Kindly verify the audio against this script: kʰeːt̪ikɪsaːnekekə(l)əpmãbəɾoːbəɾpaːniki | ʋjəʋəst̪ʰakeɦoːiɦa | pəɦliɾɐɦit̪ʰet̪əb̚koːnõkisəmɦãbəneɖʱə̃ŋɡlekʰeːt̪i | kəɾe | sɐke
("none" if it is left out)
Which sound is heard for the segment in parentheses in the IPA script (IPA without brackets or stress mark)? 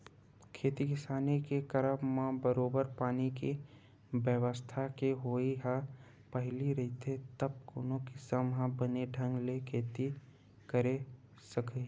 ɾ